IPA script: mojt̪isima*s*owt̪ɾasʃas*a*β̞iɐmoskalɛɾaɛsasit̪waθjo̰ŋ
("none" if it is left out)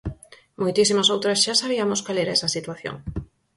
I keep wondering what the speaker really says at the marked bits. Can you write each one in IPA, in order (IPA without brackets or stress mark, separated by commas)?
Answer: s, a